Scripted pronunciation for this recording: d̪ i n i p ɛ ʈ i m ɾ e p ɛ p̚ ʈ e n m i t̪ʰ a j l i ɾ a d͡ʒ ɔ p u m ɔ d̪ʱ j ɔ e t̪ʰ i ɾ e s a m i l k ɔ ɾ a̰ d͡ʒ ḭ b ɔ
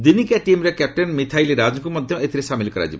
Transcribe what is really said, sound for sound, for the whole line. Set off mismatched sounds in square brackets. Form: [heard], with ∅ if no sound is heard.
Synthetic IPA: d̪ i n i [k] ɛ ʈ i m ɾ e [k] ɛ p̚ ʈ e n m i t̪ʰ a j l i ɾ a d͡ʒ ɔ [k] u m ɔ d̪ʱ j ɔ e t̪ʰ i ɾ e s a m i l k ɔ ɾ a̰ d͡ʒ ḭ b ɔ